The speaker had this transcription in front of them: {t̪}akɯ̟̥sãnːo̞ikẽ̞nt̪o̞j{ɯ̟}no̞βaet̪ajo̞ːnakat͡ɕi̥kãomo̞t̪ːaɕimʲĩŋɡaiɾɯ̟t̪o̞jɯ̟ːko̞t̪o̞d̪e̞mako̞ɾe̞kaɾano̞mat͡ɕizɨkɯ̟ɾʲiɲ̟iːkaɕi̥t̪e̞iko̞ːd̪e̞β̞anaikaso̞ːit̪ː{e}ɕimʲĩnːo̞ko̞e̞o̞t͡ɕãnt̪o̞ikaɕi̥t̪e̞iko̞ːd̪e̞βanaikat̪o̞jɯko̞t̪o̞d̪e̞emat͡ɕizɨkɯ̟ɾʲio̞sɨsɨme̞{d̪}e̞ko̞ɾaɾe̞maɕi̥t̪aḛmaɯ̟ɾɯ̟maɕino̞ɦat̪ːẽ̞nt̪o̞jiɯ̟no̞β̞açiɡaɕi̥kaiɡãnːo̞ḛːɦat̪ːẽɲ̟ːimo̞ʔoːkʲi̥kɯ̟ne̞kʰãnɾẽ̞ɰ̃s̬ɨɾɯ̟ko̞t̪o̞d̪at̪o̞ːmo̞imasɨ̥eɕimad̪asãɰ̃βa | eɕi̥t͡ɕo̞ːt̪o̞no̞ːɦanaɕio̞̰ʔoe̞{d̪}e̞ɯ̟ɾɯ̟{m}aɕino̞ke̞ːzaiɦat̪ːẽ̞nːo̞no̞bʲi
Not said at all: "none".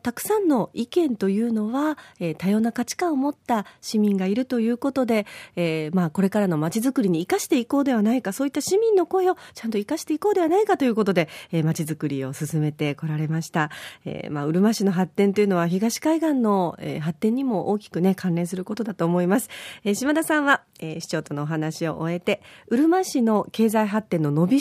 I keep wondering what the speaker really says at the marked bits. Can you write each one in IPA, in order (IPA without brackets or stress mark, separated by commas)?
t̪, ɯ̟ː, a, t̪, t̪, m